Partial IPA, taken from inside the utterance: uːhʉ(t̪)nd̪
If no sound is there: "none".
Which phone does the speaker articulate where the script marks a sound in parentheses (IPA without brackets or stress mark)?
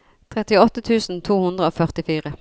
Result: none